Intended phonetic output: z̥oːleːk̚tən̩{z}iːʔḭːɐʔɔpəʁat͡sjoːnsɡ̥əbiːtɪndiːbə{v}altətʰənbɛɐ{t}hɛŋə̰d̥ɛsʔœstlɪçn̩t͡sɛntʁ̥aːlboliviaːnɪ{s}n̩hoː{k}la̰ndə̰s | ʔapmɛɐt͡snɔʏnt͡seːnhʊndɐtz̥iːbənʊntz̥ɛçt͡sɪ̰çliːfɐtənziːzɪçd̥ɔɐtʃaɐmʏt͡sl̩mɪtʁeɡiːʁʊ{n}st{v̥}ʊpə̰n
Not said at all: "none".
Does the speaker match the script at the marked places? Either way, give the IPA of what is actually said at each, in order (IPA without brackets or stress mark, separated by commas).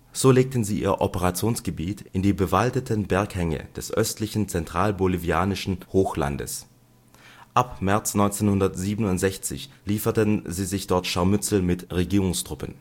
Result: z, v, k, ʃ, x, ŋ, ʁ̥